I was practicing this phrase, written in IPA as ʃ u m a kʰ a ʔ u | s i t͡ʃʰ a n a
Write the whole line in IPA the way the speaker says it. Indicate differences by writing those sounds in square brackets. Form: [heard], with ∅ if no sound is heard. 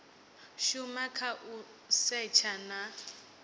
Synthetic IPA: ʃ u m a kʰ a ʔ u | s [ɛ] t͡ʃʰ a n a